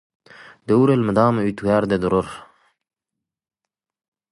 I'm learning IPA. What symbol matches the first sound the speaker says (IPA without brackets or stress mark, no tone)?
d̪